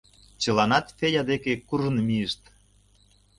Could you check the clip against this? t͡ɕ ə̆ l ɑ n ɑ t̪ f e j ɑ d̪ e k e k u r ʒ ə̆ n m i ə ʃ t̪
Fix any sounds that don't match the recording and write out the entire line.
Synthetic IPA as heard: t͡ɕ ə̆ l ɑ n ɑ t̪ f e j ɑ d̪ e k e k u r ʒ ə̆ n m i ə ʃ t̪